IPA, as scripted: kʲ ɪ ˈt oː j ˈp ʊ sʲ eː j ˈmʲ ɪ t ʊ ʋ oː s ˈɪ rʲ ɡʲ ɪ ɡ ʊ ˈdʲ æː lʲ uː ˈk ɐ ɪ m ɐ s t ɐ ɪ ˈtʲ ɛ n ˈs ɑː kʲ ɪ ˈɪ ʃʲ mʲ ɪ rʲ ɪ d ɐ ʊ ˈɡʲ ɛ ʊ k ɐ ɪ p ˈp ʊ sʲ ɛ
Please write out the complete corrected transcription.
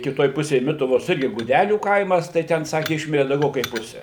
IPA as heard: kʲ ɪ ˈt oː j ˈp ʊ sʲ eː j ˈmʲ ɪ t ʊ ʋ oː s ˈɪ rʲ ɡʲ ɪ ɡ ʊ ˈdʲ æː lʲ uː ˈk ɐ ɪ m ɐ s t ɐ ɪ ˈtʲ ɛ n ˈs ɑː kʲ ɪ ˈɪ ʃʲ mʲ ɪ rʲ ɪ d ɐ ʊ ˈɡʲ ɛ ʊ k ɐ ɪ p ˈp ʊ sʲ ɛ